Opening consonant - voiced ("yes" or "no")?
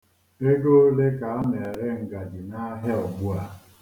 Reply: yes